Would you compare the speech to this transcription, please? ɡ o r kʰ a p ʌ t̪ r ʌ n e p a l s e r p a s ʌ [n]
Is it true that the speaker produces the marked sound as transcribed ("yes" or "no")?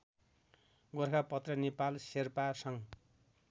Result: no